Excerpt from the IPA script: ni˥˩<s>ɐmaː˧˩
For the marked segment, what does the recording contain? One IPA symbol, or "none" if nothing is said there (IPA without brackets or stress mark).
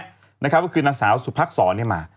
none